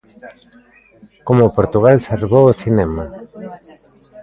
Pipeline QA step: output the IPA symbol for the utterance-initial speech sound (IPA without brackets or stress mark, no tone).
k